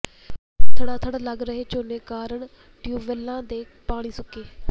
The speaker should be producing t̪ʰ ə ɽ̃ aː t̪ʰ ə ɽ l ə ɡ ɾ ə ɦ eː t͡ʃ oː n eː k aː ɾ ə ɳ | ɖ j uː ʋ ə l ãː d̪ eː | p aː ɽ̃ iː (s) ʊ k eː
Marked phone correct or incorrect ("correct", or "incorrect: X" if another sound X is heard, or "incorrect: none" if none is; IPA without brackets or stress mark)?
correct